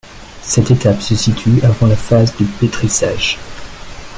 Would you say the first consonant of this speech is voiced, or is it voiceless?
voiceless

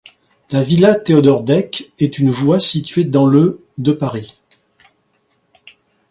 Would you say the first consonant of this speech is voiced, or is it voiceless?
voiced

